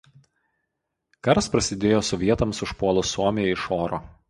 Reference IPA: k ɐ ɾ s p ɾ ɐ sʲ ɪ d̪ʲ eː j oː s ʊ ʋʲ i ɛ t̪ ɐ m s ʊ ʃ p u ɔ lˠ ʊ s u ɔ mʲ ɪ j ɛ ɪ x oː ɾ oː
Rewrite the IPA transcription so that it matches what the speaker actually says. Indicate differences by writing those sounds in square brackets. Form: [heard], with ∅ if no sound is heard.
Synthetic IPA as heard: k ɐ ɾ s p ɾ ɐ sʲ ɪ d̪ʲ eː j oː s ʊ ʋʲ i ɛ t̪ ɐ m s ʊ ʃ p u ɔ lˠ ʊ s u ɔ mʲ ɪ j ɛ ɪ [ʃ] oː ɾ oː